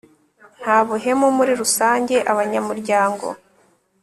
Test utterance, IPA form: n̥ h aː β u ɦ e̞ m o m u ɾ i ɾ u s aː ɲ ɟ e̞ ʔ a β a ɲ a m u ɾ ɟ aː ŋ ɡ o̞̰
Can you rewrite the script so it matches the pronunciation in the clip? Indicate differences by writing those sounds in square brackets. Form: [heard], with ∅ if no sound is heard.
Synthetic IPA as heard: n̥ h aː β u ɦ e̞ m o m u ɾ i ɾ u s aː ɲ ɟ e̞ ʔ a β a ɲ a m u ɾ ɟ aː ŋ ɡ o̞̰